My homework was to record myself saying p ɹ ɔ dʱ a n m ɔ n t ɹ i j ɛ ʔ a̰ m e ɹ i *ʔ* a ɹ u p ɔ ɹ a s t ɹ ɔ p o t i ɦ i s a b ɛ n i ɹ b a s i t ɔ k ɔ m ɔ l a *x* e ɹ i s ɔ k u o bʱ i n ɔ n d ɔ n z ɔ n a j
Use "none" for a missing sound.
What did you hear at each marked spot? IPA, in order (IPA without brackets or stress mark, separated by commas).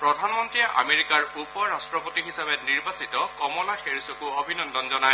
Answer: k, x